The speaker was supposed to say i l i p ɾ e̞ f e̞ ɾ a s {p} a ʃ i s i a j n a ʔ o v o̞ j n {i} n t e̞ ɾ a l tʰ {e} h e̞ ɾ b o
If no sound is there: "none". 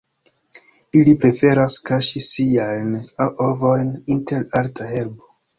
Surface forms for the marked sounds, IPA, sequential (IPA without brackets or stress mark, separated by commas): k, i, a